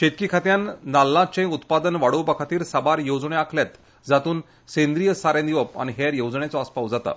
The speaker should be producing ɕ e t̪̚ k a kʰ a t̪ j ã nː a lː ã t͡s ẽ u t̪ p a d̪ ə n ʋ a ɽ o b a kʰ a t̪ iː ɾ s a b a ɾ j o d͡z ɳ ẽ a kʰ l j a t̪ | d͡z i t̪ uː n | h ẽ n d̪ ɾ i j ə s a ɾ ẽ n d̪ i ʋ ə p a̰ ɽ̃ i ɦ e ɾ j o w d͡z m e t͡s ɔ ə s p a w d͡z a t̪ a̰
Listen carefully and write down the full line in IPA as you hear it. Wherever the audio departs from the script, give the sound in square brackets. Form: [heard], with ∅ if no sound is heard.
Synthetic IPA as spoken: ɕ e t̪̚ k [i] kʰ a t̪ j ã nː a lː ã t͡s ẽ u t̪ p a d̪ ə n ʋ a ɽ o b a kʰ a t̪ iː ɾ s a b a ɾ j o d͡z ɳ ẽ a kʰ l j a t̪ | d͡z [a] t̪ uː n | [s] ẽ n d̪ ɾ i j ə s a ɾ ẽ n d̪ i ʋ ə p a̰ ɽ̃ i ɦ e ɾ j o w d͡z [ɳ] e t͡s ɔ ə s p a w d͡z a t̪ a̰